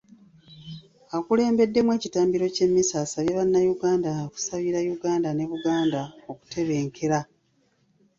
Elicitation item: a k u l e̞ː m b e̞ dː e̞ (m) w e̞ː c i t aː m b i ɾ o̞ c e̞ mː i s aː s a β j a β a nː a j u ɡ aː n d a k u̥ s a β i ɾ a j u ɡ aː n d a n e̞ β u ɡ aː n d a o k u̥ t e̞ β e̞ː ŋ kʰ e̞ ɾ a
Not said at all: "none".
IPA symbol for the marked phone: m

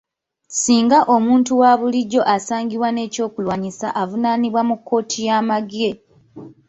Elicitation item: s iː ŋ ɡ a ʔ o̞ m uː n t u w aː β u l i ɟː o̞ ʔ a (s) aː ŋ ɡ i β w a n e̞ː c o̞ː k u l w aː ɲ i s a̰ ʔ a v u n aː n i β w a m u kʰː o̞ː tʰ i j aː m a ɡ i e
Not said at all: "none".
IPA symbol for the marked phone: s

